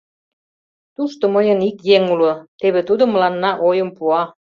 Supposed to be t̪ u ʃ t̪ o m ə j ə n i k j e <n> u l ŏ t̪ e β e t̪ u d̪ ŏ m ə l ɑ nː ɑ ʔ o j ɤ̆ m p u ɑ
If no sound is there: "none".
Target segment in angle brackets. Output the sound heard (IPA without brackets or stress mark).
ŋ